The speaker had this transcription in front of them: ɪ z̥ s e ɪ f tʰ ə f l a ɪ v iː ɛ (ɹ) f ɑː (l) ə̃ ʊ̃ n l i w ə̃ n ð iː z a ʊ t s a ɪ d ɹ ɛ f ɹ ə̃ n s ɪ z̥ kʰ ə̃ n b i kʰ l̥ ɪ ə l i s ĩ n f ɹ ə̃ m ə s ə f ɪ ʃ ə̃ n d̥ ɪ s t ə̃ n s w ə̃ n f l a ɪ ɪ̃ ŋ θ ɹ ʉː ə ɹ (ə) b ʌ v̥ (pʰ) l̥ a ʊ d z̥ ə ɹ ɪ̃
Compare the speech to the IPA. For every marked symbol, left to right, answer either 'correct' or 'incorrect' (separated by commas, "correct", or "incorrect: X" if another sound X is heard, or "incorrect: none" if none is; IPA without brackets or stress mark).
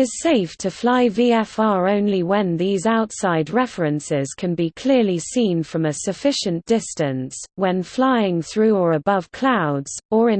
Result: incorrect: none, incorrect: ɹ, correct, incorrect: kʰ